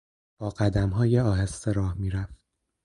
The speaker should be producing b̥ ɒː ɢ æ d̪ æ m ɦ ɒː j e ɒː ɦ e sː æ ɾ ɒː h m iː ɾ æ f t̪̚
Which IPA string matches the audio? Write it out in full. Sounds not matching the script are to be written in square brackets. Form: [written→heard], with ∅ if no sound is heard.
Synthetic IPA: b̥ ɒː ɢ æ d̪ æ m ɦ ɒː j e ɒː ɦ e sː [æ→e] ɾ ɒː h m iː ɾ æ f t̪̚